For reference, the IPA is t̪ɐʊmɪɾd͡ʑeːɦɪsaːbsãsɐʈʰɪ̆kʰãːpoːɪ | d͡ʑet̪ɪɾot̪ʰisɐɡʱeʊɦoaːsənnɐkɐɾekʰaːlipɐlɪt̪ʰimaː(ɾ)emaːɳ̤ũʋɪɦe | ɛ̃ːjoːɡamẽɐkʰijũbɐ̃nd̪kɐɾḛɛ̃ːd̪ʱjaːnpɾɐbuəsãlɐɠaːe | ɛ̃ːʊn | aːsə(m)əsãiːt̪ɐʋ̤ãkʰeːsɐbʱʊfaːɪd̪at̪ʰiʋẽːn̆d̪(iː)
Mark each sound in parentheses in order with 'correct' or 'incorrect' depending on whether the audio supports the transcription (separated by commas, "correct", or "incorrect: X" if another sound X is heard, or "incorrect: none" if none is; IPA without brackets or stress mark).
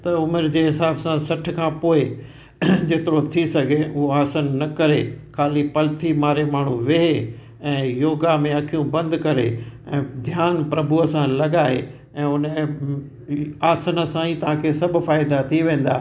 correct, incorrect: n, incorrect: aː